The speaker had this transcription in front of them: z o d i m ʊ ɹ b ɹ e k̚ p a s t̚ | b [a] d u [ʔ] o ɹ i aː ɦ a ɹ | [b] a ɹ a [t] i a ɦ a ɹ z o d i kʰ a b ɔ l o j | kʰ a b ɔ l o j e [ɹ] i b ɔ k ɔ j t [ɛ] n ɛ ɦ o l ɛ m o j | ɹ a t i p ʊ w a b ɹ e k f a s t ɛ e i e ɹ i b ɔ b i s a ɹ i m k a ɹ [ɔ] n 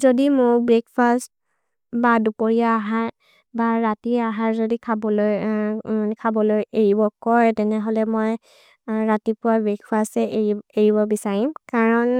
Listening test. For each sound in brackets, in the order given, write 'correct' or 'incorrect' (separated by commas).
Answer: correct, incorrect, correct, correct, correct, correct, correct